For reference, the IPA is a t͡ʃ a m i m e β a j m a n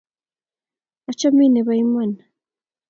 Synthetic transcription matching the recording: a t͡ʃ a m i n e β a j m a n